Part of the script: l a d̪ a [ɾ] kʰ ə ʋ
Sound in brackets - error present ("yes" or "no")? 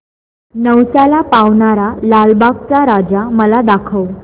yes